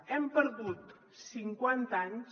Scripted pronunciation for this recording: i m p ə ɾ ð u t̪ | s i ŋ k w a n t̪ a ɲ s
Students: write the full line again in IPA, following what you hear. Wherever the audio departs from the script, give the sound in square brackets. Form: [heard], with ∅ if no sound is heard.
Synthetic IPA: [ɛ] m p ə ɾ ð u t̪ | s i ŋ k w a n t̪ a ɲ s